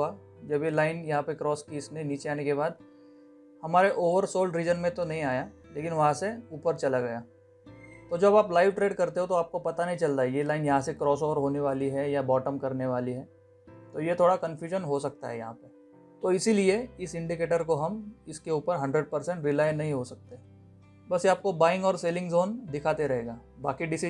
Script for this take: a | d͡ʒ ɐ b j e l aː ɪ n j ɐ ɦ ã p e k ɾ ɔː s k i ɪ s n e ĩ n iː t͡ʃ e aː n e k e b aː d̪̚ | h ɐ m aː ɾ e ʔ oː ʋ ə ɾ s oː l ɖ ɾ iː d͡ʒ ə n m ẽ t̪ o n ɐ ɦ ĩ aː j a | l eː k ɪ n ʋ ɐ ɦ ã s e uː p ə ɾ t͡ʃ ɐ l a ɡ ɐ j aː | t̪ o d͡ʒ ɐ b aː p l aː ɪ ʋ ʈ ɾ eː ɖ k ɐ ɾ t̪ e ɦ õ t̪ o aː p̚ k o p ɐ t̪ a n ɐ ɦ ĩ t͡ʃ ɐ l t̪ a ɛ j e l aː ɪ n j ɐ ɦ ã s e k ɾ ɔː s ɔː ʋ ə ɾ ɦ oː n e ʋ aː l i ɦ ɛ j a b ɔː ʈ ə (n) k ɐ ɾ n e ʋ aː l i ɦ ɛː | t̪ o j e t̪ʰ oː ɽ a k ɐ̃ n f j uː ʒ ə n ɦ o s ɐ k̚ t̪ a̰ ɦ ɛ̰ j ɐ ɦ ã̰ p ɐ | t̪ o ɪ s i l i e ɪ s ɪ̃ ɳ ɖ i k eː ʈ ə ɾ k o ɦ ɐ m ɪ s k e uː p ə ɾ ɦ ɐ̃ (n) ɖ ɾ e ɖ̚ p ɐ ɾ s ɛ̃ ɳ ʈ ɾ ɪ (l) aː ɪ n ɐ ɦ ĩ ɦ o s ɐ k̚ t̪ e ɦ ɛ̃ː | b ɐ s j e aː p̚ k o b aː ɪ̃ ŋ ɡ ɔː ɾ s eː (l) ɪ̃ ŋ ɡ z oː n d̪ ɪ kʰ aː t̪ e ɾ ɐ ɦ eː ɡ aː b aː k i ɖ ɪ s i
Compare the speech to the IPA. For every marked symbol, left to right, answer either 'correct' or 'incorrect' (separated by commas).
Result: incorrect, incorrect, correct, correct